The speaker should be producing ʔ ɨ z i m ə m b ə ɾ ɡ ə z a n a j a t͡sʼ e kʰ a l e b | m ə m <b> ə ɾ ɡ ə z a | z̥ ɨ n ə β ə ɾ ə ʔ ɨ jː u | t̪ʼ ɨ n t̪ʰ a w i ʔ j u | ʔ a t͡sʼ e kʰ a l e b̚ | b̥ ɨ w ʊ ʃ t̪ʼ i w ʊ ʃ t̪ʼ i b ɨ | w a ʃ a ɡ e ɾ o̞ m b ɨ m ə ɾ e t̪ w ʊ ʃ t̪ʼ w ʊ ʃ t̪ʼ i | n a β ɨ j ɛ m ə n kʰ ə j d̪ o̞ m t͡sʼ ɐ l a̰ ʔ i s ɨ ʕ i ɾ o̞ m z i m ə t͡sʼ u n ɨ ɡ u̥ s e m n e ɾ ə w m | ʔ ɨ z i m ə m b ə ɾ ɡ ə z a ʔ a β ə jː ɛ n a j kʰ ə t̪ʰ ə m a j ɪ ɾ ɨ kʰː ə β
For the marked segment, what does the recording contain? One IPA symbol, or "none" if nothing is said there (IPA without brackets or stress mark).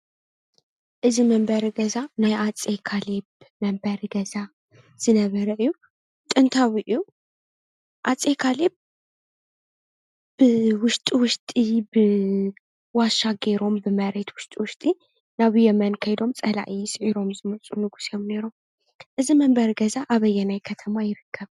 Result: b